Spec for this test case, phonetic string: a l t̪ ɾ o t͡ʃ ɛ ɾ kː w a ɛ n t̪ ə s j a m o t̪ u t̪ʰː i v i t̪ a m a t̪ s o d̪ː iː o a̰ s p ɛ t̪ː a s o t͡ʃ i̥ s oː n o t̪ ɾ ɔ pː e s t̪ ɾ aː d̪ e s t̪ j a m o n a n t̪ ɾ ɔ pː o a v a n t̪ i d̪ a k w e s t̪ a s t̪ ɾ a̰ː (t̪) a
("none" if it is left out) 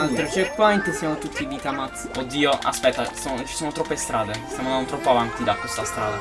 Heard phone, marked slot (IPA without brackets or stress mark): d̪